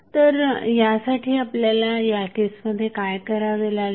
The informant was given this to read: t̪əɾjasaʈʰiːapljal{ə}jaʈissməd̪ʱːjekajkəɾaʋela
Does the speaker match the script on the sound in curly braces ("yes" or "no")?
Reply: no